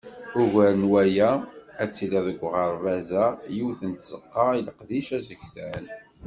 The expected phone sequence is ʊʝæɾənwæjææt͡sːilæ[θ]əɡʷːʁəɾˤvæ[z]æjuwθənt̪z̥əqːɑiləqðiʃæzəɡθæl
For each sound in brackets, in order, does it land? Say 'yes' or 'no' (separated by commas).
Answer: no, yes